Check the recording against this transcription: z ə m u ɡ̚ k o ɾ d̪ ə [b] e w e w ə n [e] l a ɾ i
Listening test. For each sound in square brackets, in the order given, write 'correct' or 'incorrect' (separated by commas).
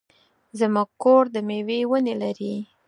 incorrect, correct